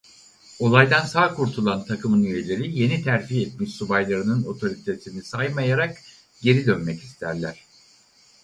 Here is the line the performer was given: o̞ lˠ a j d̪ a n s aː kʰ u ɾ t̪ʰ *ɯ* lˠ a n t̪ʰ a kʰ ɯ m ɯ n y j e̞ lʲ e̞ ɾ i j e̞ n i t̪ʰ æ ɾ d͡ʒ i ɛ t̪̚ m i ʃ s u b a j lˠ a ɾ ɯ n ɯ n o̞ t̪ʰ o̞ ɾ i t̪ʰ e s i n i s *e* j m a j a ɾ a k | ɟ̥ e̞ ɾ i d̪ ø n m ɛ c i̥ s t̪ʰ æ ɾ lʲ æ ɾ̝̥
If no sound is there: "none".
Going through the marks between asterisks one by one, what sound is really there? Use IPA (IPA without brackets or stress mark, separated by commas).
u, a